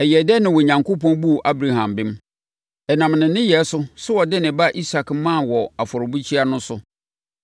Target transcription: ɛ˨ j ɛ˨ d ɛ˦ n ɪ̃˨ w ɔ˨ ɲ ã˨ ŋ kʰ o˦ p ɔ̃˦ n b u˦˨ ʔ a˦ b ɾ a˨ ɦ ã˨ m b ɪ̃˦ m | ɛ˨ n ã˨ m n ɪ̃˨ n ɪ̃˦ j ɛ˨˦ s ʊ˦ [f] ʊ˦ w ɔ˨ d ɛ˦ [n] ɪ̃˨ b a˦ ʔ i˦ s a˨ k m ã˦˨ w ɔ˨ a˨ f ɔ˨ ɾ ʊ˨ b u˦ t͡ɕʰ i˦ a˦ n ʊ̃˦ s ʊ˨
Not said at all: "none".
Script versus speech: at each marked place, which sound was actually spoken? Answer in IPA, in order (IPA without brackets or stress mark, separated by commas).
s, n